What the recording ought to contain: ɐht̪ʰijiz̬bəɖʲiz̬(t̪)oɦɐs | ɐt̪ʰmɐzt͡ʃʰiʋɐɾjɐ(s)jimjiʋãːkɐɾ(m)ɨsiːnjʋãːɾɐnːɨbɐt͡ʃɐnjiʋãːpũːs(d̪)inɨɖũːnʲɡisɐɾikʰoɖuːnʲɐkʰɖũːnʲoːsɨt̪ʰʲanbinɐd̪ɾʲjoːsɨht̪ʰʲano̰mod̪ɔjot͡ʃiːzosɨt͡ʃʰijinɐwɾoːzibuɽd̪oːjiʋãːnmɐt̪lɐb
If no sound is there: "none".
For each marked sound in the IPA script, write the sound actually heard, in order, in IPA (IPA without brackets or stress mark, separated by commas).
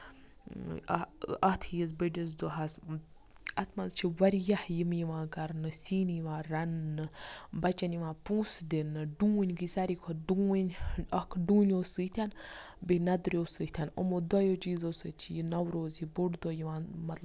d̪, h, n, d̪